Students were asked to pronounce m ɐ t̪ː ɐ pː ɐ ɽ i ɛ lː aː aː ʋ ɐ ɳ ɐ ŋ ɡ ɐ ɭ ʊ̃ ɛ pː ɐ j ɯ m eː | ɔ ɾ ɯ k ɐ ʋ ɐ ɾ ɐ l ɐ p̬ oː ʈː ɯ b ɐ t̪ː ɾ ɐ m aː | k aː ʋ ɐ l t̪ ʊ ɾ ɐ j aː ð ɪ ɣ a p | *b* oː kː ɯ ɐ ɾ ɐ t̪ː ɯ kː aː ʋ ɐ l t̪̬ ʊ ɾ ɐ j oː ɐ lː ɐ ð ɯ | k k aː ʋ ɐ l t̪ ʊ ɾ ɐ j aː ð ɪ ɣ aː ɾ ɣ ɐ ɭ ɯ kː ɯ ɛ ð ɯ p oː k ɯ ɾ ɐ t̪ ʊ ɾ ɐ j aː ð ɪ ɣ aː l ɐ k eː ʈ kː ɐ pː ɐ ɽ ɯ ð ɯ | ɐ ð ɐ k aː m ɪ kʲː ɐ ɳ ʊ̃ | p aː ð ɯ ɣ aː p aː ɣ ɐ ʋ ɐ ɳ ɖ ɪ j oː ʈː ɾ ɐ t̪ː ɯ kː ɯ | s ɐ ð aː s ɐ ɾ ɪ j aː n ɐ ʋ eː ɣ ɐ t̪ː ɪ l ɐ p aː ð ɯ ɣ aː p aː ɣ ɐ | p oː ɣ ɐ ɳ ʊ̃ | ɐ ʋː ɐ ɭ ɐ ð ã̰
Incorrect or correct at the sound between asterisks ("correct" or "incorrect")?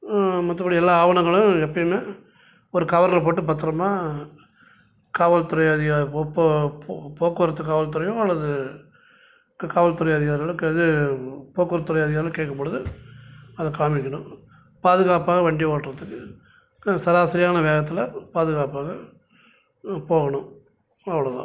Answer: incorrect